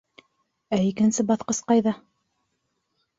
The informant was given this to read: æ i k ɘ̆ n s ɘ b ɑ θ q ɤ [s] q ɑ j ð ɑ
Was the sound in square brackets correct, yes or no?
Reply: yes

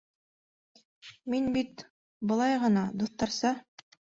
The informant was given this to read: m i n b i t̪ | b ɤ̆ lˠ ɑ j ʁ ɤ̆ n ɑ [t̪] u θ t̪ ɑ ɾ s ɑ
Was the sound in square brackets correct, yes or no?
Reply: no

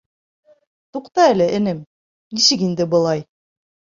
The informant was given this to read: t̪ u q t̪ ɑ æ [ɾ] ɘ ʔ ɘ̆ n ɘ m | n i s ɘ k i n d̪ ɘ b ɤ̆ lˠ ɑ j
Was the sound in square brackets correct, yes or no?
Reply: no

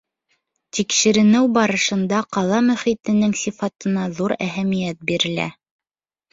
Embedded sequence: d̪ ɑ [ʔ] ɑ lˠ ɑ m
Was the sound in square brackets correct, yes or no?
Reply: no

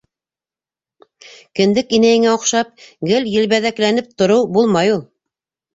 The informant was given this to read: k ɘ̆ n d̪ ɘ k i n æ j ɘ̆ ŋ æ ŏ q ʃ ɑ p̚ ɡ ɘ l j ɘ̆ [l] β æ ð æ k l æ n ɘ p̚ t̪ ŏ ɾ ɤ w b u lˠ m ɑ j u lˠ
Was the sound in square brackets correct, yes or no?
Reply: yes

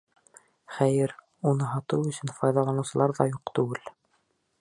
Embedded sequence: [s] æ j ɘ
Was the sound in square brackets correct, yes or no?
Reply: no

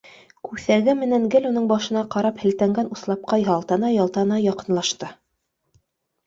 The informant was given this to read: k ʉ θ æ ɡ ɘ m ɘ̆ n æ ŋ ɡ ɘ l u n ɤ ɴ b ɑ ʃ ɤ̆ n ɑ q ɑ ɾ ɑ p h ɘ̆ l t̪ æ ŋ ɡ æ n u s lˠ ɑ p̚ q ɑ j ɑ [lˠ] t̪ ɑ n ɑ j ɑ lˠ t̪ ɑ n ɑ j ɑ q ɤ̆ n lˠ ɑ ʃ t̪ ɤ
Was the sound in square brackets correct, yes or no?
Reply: yes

